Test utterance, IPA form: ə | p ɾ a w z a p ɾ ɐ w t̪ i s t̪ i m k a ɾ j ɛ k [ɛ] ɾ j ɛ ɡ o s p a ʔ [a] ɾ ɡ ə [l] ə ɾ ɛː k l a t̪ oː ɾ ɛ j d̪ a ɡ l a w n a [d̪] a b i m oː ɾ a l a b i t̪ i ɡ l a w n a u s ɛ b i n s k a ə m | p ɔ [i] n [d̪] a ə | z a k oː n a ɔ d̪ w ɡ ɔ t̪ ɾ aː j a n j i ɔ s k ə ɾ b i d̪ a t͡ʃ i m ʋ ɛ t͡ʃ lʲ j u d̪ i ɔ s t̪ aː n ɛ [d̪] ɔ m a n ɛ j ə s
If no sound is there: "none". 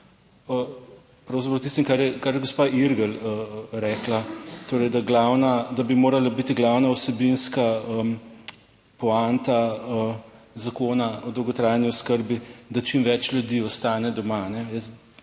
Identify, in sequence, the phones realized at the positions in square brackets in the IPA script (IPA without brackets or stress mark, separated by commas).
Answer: a, i, l, d̪, a, t̪, d̪